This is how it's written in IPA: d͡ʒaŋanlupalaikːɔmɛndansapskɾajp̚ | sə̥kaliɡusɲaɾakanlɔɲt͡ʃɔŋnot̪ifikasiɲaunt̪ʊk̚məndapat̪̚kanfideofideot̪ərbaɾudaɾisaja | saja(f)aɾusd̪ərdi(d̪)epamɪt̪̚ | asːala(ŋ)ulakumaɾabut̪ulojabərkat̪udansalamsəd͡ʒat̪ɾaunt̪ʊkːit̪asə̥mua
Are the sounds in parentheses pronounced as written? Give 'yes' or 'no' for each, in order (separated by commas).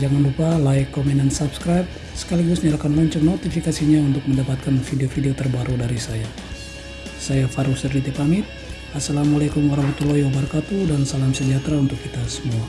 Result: yes, no, no